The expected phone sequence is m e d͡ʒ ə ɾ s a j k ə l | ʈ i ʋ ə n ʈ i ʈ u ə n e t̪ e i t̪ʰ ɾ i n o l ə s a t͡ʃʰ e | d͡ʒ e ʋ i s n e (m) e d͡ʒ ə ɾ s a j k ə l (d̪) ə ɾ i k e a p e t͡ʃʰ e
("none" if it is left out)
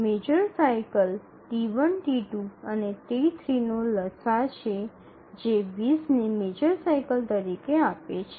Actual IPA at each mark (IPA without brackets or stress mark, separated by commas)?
m, t̪